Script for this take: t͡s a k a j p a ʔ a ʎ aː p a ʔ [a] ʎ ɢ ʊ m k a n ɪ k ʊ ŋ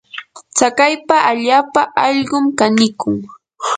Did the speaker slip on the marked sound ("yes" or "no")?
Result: yes